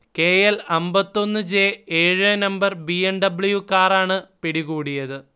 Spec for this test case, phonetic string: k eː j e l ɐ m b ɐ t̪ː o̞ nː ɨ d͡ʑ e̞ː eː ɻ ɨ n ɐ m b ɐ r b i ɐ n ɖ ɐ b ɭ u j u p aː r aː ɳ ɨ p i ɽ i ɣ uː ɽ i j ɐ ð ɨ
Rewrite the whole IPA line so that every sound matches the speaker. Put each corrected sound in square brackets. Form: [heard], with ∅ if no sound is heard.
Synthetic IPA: k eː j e l ɐ m b ɐ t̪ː o̞ nː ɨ d͡ʑ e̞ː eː ɻ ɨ n ɐ m b ɐ r b i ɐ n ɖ ɐ b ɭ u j u [k] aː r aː ɳ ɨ p i ɽ i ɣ uː ɽ i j ɐ ð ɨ